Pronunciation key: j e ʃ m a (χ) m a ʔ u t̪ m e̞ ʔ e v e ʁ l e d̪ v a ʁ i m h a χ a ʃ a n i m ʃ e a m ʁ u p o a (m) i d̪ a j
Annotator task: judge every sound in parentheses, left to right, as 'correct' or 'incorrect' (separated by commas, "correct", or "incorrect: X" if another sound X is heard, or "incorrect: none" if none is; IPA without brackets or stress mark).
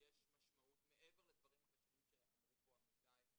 incorrect: ʃ, correct